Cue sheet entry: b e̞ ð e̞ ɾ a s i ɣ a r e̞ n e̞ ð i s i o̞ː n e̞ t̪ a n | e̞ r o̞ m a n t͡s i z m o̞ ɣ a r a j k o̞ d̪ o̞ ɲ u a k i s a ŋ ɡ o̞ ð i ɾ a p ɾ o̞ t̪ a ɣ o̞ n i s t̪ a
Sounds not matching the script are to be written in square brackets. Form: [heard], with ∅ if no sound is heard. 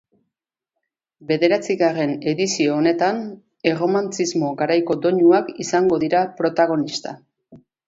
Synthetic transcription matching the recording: b e̞ ð e̞ ɾ a [t͡s] i ɣ a r e̞ n e̞ ð i s i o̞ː n e̞ t̪ a n | e̞ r o̞ m a n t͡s i z m o̞ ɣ a [ɾ] a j k o̞ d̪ o̞ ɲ u a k i s a ŋ ɡ o̞ ð i ɾ a p ɾ o̞ t̪ a ɣ o̞ n i s t̪ a